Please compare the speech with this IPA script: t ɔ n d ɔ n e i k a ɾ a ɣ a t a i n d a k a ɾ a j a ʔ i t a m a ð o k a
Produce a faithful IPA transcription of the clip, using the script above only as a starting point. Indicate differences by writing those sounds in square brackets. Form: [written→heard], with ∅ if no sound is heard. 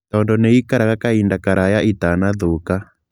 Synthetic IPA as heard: t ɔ n d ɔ n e i k a ɾ a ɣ a [t→k] a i n d a k a ɾ a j a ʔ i t a [m→n] a ð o k a